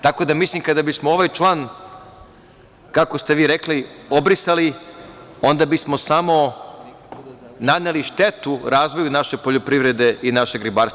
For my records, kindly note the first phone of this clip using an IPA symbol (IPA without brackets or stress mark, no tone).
t̪